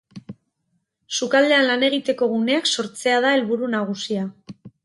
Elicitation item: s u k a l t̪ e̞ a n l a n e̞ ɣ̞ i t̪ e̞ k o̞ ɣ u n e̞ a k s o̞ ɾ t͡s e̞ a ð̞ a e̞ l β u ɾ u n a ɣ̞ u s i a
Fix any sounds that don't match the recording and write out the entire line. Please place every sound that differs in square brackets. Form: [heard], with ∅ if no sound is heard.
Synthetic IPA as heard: s u k a l [d̪] e̞ a n l a n e̞ ɣ̞ i t̪ e̞ k o̞ ɣ u n e̞ a k s o̞ ɾ t͡s e̞ a ð̞ a e̞ l β u ɾ u n a ɣ̞ u s i a